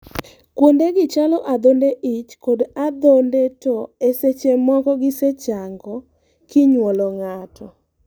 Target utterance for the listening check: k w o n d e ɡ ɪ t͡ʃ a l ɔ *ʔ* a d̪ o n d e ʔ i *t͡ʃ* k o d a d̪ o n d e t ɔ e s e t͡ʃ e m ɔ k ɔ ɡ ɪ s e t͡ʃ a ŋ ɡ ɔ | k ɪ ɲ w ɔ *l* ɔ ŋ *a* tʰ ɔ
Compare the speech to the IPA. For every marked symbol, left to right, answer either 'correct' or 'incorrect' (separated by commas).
correct, correct, correct, correct